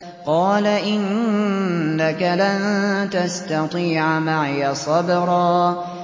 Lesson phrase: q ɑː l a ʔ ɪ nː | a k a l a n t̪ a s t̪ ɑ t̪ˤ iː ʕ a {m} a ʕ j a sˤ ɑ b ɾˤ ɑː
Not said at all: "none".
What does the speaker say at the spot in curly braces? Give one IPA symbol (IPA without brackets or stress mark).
m